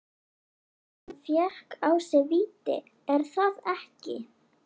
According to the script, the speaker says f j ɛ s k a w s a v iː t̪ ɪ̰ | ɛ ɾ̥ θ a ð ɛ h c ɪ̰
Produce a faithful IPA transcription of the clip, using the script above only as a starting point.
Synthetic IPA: f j ɛ h k a w s ɛ v iː t̪ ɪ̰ | ɛ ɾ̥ θ a ð ɛ h c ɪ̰